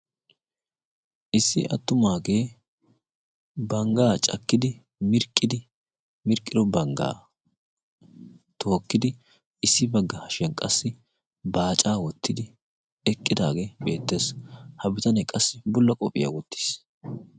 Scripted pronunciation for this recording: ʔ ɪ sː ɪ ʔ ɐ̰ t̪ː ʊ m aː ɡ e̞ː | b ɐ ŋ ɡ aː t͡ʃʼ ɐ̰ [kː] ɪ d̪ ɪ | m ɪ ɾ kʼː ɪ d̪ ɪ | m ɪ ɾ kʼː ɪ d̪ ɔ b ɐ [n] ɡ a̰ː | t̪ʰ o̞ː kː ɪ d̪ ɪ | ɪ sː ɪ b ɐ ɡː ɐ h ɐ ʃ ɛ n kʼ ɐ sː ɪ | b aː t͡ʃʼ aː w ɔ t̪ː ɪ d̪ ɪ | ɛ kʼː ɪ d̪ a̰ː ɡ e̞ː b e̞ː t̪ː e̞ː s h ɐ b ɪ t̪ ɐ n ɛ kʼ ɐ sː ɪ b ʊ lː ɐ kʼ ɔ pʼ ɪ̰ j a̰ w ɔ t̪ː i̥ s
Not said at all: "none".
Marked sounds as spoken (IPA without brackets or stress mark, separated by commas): kː, ŋ